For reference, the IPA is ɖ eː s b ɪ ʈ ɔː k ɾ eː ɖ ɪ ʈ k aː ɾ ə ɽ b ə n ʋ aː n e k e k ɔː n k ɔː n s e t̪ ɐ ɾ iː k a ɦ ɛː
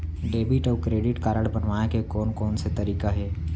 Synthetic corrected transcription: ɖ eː b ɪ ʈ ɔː k ɾ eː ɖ ɪ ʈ k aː ɾ ə ɽ b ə n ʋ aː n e k e k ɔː n k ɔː n s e t̪ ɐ ɾ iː k a ɦ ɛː

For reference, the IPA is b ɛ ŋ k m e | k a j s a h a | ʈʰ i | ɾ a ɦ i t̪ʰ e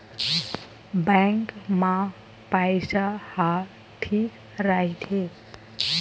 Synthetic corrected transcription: b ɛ ŋ k m a | p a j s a h a | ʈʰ i | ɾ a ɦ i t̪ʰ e

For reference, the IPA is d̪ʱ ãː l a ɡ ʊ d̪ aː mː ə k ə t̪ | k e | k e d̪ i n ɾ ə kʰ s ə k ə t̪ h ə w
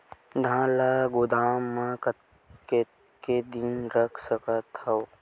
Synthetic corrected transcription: d̪ʱ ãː l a ɡ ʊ d̪ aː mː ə k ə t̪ | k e | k e d̪ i n ɾ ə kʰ s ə k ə t̪ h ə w

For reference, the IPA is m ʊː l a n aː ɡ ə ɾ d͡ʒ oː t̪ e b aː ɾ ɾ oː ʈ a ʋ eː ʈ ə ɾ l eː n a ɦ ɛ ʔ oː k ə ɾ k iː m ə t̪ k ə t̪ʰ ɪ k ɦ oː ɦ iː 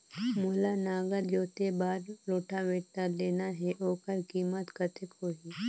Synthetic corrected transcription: m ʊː l a n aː ɡ ə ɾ d͡ʒ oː t̪ e b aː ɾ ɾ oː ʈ a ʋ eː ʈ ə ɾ l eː n a ɦ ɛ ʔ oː k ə ɾ k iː m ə t̪ k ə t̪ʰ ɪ k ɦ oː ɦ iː

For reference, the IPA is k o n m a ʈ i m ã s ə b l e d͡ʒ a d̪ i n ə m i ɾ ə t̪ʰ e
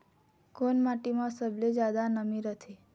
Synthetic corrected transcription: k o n m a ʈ i m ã s ə b l e d͡ʒ a d̪ a n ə m i ɾ ə t̪ʰ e

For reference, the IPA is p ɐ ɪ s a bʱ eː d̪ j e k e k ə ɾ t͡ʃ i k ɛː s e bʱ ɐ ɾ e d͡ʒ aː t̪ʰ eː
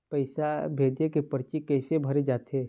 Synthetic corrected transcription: p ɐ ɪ s a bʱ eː d̪ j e k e p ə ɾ t͡ʃ i k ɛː s e bʱ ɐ ɾ e d͡ʒ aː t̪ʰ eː

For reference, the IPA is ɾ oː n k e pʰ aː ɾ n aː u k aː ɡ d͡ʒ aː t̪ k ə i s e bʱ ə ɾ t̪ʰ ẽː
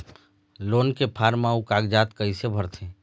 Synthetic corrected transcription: l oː n k e pʰ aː ɾ m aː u k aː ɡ d͡ʒ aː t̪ k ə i s e bʱ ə ɾ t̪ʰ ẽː

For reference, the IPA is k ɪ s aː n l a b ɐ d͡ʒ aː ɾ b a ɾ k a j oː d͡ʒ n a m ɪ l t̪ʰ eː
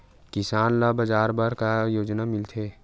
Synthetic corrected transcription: k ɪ s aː n l a b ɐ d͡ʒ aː ɾ b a ɾ k a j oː d͡ʒ n a m ɪ l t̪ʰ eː

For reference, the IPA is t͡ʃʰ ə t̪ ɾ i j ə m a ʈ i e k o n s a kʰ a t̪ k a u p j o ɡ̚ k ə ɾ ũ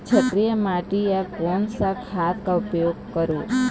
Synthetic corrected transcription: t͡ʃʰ ə t̪ ɾ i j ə m a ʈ i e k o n s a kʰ a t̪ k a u p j o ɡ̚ k ə ɾ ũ

